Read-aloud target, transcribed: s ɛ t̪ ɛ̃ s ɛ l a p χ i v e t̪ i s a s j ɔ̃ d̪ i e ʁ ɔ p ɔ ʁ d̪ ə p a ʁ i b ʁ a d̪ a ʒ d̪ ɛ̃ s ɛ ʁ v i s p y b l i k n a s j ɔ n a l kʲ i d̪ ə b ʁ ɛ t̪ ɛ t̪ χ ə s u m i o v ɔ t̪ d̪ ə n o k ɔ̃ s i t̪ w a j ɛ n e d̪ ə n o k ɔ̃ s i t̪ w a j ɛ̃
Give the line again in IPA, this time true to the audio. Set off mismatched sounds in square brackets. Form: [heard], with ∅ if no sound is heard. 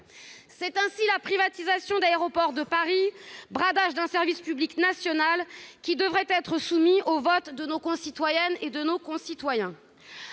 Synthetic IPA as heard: s ɛ t̪ ɛ̃ s [i] l a p χ i v [a] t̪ i [z] a s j ɔ̃ d̪ [a] e ʁ ɔ p ɔ ʁ d̪ ə p a ʁ i b ʁ a d̪ a ʒ d̪ ɛ̃ s ɛ ʁ v i s p y b l i k n a s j ɔ n a l kʲ i d̪ ə [v] ʁ ɛ t̪ ɛ t̪ χ ə s u m i o v ɔ t̪ d̪ ə n o k ɔ̃ s i t̪ w a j ɛ n e d̪ ə n o k ɔ̃ s i t̪ w a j ɛ̃

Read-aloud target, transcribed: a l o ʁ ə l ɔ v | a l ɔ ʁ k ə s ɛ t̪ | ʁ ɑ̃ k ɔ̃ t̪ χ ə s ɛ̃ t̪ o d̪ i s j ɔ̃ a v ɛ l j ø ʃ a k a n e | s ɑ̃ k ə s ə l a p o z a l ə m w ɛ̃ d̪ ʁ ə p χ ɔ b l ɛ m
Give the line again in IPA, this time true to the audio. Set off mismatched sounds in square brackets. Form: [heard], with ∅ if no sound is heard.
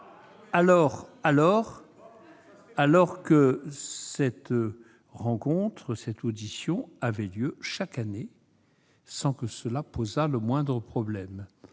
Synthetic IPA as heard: a l [ɔ] ʁ [a] l ɔ [ʁ] | a l ɔ ʁ k ə s ɛ t̪ | ʁ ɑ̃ k ɔ̃ t̪ χ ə s [ɛ] t̪ o d̪ i s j ɔ̃ a v ɛ l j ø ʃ a k a n e | s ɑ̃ k ə s ə l a p o z a l ə m w ɛ̃ d̪ ʁ ə p χ ɔ b l ɛ m

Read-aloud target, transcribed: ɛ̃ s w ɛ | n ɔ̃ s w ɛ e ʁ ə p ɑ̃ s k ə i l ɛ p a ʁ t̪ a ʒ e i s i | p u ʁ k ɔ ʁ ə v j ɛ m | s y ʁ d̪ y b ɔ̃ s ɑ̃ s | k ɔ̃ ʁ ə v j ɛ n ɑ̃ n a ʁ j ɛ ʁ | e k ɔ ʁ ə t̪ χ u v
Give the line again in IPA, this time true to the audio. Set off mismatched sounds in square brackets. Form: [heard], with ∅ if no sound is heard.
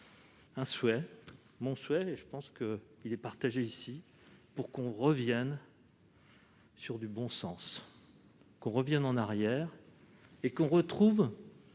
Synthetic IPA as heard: ɛ̃ s w ɛ | [m] ɔ̃ s w ɛ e [ʒ] ə p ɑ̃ s k ə i l ɛ p a ʁ t̪ a ʒ e i s i | p u ʁ k [ɔ̃] ʁ ə v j ɛ [n] | s y ʁ d̪ y b ɔ̃ s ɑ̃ s | k ɔ̃ ʁ ə v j ɛ n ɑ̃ n a ʁ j ɛ ʁ | e k [ɔ̃] ʁ ə t̪ χ u v

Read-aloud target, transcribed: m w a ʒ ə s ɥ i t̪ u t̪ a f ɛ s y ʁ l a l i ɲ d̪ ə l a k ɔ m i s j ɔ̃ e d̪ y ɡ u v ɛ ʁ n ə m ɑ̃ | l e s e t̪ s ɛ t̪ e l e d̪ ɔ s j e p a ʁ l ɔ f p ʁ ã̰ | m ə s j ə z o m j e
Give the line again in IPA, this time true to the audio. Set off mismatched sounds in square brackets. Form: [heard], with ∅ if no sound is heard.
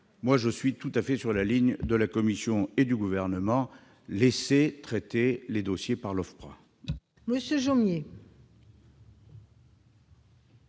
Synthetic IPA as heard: m w a ʒ ə s ɥ i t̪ u t̪ a f ɛ s y ʁ l a l i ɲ d̪ ə l a k ɔ m i s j ɔ̃ e d̪ y ɡ u v ɛ ʁ n ə m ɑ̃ | l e s e t̪ [χ] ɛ t̪ e l e d̪ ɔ s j e p a ʁ l ɔ f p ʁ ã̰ | m ə s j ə [ʒ] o m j e

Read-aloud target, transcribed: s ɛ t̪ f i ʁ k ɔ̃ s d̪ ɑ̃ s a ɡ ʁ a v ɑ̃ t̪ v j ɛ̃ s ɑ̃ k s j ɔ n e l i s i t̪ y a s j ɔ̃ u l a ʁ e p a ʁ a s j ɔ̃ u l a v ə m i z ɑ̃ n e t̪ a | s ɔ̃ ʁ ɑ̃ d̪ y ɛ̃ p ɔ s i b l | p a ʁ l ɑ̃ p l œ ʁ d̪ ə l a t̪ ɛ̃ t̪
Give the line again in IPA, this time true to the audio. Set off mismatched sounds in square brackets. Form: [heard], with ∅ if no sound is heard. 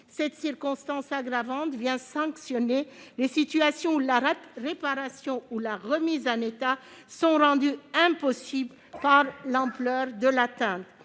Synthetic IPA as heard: s ɛ t̪ [s] i ʁ k ɔ̃ s [t̪] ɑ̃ s a ɡ ʁ a v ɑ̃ t̪ v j ɛ̃ s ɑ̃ k s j ɔ n e l [e] s i t̪ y a s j ɔ̃ u l a ʁ e p a ʁ a s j ɔ̃ u l a [ʁ] ə m i z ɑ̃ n e t̪ a | s ɔ̃ ʁ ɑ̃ d̪ y ɛ̃ p ɔ s i b l | p a ʁ l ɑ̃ p l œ ʁ d̪ ə l a t̪ ɛ̃ t̪

